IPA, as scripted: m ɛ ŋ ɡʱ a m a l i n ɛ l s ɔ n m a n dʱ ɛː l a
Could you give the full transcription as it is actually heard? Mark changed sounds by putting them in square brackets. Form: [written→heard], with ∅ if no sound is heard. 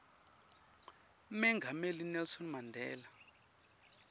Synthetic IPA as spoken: m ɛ ŋ ɡʱ a m [a→e] l i n ɛ l s ɔ n m a n dʱ ɛː l a

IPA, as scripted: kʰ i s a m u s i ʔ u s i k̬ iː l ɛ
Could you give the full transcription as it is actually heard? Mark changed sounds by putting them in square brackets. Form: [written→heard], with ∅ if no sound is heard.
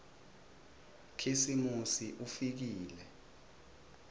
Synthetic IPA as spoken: kʰ i s [a→i] m u s i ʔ u [s→f] i k̬ iː l ɛ

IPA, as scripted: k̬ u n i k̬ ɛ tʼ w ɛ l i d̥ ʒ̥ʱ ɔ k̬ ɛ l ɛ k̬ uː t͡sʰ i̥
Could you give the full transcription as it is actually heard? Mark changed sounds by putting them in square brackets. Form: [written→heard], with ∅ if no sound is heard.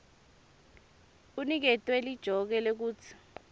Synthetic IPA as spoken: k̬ u n i k̬ ɛ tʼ w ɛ l i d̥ ʒ̥ʱ ɔ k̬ ɛ l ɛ k̬ uː t͡sʰ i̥

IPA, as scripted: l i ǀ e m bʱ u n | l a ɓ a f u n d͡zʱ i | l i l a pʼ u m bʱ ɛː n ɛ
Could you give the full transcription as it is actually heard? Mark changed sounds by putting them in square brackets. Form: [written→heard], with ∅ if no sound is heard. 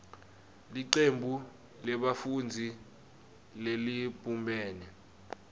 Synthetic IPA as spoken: l i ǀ e m bʱ u [n→∅] | l [a→ɛ] ɓ a f u n d͡zʱ i | l [i→e] l [a→i] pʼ u m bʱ ɛː n ɛ

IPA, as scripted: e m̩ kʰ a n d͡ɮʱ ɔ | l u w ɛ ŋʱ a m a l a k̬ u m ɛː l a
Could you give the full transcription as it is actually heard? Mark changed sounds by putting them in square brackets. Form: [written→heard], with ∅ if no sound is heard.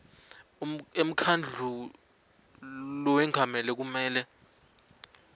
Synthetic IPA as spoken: e m̩ kʰ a n d͡ɮʱ [ɔ→u] | l [u→ɔ] w ɛ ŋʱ a m [a→ɛ] l [a→ɛ] k̬ u m ɛː l [a→ɛ]

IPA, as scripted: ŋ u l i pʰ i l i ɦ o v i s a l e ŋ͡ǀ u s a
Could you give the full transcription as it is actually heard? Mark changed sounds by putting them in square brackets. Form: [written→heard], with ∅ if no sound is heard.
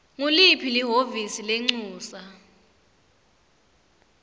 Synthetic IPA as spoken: ŋ u l i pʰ i l i ɦ o v i s [a→i] l e ŋ͡ǀ [u→uː] s a

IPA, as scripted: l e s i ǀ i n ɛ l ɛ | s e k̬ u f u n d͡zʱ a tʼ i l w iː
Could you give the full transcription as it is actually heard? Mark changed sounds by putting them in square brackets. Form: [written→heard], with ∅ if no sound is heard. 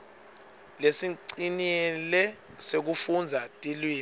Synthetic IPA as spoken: l e s i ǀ i n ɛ l ɛ | s e k̬ u f u n d͡zʱ a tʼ i l w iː

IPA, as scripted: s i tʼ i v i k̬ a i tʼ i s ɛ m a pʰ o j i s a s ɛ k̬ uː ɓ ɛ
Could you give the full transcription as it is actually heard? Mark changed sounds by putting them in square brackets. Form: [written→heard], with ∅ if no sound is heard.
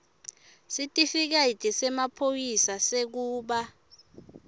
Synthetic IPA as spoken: s i tʼ i [v→f] i k̬ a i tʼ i s ɛ m a pʰ o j i s a s [ɛ→e] k̬ uː ɓ [ɛ→a]

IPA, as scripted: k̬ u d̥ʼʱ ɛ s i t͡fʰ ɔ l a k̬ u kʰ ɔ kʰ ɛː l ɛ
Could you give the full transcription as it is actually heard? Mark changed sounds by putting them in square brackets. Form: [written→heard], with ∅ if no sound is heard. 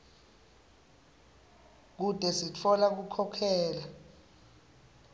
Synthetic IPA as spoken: k̬ u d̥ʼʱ ɛ s i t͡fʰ ɔ l a k̬ u kʰ ɔ kʰ ɛː l [ɛ→a]

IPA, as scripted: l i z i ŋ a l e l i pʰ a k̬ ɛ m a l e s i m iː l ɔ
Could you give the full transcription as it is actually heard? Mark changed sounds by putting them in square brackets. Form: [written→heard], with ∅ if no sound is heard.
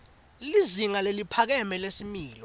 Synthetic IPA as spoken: l i z i ŋ a l e l i pʰ a k̬ ɛ m [a→ɛ] l e s i m iː l ɔ

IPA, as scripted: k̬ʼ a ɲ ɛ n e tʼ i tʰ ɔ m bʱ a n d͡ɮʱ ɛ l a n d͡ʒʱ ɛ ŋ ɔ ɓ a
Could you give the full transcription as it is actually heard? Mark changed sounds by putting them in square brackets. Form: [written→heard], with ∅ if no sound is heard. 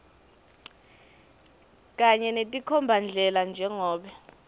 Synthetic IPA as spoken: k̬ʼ a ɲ ɛ n e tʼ i [tʰ→kʰ] ɔ m bʱ a n d͡ɮʱ ɛ l a n d͡ʒʱ ɛ ŋ [ɔ→ɔː] ɓ [a→ɛ]

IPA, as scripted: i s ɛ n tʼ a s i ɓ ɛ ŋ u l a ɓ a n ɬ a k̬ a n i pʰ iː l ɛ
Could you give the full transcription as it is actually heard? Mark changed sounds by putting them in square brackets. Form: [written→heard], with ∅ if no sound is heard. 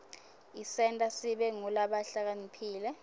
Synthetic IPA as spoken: i s ɛ n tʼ a s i ɓ ɛ ŋ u l a ɓ a [n→∅] ɬ a k̬ a n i pʰ iː l ɛ

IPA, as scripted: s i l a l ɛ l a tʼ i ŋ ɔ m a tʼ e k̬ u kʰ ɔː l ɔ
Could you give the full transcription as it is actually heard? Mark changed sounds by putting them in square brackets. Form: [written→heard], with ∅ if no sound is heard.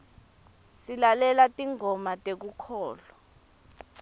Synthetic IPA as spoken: s i l a l ɛ l a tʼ i ŋ ɔ m a tʼ e k̬ u kʰ ɔː l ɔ

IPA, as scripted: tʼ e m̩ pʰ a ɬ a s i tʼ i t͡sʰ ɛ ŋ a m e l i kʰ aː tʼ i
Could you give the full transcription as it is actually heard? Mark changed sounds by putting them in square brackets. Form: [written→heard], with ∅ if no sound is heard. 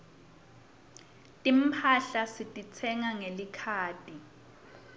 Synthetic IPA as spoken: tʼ [e→i] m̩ pʰ a ɬ a s i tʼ i t͡sʰ ɛ ŋ a [m→ŋ] e l i kʰ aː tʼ i

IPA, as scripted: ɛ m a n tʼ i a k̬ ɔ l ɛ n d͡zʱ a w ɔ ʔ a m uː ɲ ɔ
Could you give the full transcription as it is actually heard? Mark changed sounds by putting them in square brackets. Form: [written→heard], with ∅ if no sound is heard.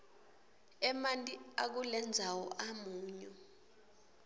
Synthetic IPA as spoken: ɛ m a n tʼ i a k̬ [ɔ→u] l ɛ n d͡zʱ a w ɔ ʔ a m uː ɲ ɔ

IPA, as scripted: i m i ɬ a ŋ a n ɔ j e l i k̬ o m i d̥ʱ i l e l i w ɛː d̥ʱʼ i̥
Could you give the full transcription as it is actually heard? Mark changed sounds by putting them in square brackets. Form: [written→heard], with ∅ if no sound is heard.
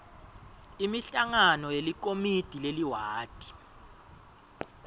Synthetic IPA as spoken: i m i ɬ a ŋ a n ɔ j e l i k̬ o m i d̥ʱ i l e l i w [ɛː→aː] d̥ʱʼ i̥

